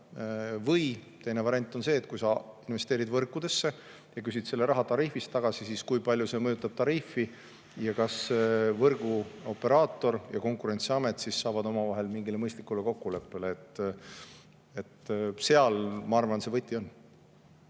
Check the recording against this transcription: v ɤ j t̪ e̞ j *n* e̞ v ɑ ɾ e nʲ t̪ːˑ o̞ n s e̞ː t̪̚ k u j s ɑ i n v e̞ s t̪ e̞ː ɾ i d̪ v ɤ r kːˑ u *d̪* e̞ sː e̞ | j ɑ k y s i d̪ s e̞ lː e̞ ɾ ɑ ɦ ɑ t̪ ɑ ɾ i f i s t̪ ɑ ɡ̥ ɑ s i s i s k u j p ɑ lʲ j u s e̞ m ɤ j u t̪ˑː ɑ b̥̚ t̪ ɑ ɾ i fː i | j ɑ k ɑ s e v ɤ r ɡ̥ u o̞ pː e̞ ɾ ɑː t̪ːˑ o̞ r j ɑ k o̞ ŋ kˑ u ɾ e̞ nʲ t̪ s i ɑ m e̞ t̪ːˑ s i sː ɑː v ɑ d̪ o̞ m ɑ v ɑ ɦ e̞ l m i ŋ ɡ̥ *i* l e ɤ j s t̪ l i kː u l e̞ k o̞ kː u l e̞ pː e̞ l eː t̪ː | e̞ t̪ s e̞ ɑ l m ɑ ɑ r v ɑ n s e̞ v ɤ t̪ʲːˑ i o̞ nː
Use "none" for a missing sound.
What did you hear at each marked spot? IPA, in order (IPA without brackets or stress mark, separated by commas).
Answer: n, d̪, i